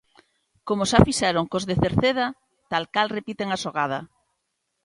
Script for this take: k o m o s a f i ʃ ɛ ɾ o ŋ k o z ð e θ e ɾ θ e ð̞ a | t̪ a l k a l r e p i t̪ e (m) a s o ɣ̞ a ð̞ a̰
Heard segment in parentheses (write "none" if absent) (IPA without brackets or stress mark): ŋ